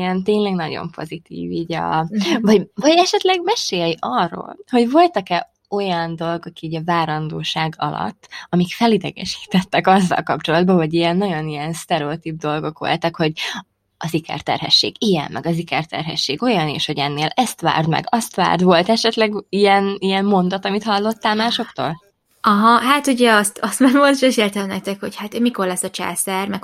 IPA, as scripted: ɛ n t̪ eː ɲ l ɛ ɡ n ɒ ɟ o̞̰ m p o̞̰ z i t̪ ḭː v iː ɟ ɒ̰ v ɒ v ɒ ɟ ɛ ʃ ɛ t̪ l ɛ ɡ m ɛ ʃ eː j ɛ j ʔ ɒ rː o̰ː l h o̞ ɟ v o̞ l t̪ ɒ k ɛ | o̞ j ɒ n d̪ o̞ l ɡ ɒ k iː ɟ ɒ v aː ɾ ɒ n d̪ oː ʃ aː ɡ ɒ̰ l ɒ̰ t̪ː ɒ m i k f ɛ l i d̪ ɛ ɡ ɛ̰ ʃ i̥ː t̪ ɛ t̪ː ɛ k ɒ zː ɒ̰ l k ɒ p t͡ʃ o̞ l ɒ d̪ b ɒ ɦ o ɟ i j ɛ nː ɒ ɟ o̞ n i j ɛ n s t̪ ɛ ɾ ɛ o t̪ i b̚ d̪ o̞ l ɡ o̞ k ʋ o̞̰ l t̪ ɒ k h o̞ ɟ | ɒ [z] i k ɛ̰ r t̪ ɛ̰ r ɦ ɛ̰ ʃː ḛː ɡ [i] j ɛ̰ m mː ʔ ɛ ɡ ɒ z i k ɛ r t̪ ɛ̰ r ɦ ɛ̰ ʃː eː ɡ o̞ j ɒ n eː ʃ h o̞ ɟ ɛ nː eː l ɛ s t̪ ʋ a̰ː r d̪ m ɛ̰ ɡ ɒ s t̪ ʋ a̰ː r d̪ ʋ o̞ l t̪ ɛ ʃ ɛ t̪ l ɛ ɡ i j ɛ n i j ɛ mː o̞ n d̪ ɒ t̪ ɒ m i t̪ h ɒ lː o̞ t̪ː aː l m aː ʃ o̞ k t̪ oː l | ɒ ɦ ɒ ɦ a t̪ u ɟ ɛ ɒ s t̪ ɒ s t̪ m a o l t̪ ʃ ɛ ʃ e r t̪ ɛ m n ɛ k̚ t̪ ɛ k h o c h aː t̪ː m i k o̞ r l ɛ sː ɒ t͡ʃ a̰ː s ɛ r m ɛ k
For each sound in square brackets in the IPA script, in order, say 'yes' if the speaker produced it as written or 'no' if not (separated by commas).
yes, yes